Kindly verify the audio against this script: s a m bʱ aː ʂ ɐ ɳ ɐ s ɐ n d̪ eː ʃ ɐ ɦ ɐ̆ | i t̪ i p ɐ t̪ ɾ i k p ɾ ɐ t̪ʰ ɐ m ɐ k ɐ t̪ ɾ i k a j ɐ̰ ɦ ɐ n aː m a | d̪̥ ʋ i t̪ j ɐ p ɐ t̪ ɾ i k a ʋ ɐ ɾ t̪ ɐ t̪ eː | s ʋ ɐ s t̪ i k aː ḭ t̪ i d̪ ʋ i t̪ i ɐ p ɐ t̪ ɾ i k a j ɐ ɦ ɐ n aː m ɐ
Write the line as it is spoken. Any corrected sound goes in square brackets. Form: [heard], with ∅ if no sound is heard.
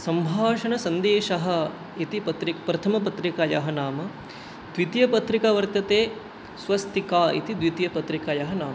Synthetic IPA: s [ɐ] m bʱ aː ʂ ɐ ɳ ɐ s ɐ n d̪ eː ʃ ɐ ɦ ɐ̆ | i t̪ i p ɐ t̪ ɾ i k p ɾ ɐ t̪ʰ ɐ m ɐ [p] ɐ t̪ ɾ i k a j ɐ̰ ɦ ɐ n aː m [ɐ] | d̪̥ ʋ i t̪ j ɐ p ɐ t̪ ɾ i k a ʋ ɐ ɾ t̪ ɐ t̪ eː | s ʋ ɐ s t̪ i k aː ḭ t̪ i d̪ ʋ i t̪ [j] ɐ p ɐ t̪ ɾ i k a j ɐ ɦ ɐ n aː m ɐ